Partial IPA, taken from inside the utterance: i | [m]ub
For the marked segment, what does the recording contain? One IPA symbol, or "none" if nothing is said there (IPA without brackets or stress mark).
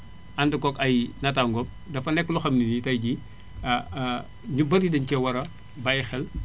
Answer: ɲ